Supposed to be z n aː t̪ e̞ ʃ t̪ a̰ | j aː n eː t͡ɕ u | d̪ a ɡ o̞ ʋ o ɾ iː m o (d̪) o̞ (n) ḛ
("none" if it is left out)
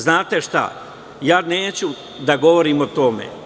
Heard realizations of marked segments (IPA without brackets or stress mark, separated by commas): t̪, m